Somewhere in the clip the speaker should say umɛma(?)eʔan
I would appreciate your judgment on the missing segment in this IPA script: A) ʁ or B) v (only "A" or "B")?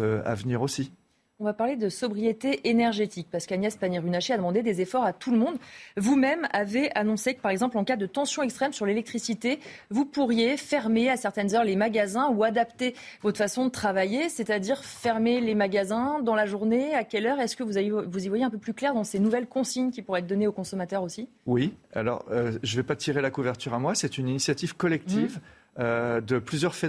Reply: B